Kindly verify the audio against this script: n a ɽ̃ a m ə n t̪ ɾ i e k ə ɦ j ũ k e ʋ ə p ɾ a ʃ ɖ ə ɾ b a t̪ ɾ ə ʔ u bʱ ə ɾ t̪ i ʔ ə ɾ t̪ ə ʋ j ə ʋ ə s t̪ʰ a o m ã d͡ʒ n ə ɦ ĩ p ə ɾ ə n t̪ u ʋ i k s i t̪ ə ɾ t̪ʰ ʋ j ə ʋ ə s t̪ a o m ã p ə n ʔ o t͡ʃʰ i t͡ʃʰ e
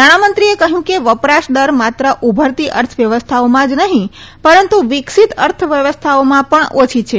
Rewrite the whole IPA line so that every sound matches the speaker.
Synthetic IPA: n a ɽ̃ a m ə n t̪ ɾ i e k ə ɦ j ũ k e ʋ ə p ɾ a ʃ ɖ ə ɾ m a t̪ ɾ ə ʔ u bʱ ə ɾ t̪ i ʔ ə ɾ t̪ʰ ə ʋ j ə ʋ ə s t̪ʰ a o m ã d͡ʒ n ə ɦ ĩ p ə ɾ ə n t̪ u ʋ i k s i t̪ ə ɾ t̪ʰ ʋ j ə ʋ ə s t̪ʰ a o m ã p ə ɳ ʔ o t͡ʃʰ i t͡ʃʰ e

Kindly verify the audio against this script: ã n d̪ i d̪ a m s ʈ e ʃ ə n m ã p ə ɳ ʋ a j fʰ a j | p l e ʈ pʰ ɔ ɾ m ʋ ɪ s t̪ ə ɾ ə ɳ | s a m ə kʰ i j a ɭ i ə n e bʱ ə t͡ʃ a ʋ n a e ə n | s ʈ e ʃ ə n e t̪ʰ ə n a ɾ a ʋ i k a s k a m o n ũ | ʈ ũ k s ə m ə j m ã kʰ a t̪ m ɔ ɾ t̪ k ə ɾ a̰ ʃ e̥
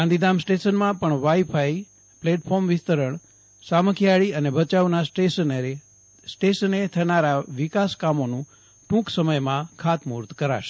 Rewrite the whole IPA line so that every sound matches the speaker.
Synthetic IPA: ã n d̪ i d̪ a m s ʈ e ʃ ə n m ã p ə ɳ ʋ a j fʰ a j | p l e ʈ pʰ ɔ ɾ m ʋ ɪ s t̪ ə ɾ ə ɳ | s a m ə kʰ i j a ɭ i ə n e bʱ ə t͡ʃ a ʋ n a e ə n | s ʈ e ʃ ə n e t̪ʰ ə n a ɾ a ʋ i k a s k a m o n ũ | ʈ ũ k s ə m ə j m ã kʰ a t̪ m u ɾ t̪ k ə ɾ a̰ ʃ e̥

